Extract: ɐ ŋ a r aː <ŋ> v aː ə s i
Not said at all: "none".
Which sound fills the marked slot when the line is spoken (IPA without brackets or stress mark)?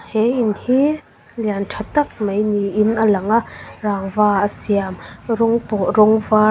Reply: ŋ